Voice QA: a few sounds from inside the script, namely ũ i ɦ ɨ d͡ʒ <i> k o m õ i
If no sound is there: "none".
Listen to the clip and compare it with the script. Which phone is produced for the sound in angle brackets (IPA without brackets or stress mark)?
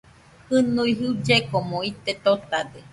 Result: e